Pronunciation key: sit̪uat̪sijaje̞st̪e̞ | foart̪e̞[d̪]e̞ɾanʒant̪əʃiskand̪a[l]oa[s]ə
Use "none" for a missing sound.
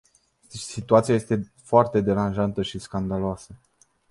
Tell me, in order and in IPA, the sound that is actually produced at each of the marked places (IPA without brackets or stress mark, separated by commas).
d̪, l, s